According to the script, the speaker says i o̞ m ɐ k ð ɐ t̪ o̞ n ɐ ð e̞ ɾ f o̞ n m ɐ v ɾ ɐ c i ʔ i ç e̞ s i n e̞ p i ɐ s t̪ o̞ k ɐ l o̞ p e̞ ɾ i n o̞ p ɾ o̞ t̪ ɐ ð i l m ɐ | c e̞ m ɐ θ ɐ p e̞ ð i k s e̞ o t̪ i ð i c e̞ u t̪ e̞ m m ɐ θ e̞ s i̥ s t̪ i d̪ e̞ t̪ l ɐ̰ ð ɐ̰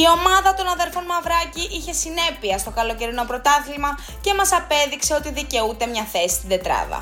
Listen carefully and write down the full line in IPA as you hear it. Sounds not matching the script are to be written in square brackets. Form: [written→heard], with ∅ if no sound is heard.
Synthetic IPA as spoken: i o̞ m ɐ [k→∅] ð ɐ t̪ o̞ n ɐ ð e̞ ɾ f o̞ n m ɐ v ɾ ɐ c i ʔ i ç e̞ s i n e̞ p i ɐ s t̪ o̞ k ɐ l o̞ [p→c] e̞ ɾ i n o̞ p ɾ o̞ t̪ ɐ [ð→θ] i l m ɐ | c e̞ m ɐ [θ→s] ɐ p e̞ ð i k s e̞ o t̪ i ð i c e̞ u t̪ e̞ m [m→ɲ] ɐ θ e̞ s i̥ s t̪ i d̪ e̞ t̪ [l→ɾ] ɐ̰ ð ɐ̰